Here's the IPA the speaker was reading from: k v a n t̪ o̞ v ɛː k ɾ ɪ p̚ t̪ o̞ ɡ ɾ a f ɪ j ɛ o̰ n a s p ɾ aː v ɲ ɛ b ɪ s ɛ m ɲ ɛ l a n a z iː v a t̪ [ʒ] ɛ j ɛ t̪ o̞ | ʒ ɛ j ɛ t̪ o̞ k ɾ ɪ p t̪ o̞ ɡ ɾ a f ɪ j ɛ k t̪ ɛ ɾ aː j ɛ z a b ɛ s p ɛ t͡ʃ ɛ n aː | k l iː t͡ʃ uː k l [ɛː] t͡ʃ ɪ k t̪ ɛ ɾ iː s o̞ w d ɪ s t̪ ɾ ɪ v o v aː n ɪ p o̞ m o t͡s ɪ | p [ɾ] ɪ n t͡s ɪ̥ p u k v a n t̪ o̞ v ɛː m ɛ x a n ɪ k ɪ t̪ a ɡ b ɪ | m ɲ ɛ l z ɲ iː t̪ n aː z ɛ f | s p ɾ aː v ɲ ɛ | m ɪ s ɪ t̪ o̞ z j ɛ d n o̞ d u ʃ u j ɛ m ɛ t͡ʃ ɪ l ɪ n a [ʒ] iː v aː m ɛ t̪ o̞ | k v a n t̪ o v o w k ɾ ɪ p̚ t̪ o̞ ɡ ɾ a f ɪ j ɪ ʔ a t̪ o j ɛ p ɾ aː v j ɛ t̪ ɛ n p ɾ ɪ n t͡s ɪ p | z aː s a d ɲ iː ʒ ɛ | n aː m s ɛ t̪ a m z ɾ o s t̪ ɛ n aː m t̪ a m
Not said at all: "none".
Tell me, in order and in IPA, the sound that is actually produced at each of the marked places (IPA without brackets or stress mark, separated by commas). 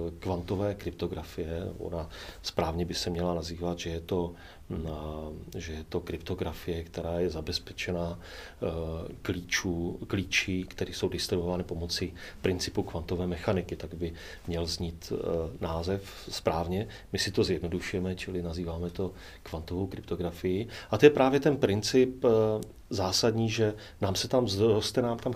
ʒ, iː, ɾ, z